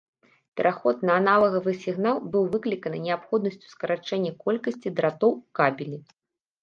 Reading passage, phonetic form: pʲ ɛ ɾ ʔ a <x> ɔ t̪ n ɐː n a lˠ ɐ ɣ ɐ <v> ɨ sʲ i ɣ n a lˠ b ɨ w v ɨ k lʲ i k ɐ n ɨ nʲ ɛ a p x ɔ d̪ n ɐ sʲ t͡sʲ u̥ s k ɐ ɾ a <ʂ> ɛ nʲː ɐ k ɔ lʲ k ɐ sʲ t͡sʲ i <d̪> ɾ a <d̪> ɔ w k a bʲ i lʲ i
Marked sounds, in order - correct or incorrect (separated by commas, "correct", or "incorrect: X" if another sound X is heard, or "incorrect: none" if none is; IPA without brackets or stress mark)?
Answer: correct, correct, incorrect: t͡ʂ, correct, incorrect: t̪